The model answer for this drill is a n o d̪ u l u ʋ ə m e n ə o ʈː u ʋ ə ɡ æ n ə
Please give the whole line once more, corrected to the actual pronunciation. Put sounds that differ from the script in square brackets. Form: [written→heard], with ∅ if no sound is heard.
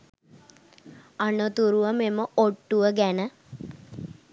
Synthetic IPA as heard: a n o [d̪→t̪] u [l→ɾ] u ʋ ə m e [n→m] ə o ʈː u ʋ ə ɡ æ n ə

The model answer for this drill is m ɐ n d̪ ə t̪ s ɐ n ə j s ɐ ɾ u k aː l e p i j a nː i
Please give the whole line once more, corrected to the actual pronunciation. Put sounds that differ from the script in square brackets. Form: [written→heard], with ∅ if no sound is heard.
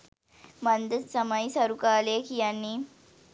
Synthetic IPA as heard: m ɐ n d̪ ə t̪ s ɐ [n→m] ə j s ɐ ɾ u k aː l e [p→k] i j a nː i

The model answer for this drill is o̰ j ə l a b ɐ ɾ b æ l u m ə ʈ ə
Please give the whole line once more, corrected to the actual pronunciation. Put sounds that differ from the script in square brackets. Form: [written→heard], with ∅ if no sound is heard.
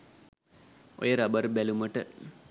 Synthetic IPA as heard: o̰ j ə [l→ɾ] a b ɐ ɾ b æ l u m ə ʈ ə

